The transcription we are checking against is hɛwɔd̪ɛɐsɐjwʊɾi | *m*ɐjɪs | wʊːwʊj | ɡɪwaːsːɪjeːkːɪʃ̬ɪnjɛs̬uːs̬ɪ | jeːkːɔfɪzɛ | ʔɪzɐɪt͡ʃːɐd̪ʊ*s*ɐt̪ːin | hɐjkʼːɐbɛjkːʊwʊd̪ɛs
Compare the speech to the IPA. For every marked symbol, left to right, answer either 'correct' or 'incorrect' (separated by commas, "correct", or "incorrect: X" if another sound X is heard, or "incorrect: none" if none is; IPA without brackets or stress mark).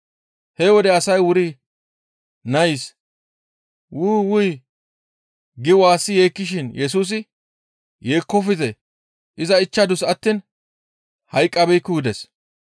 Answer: incorrect: n, correct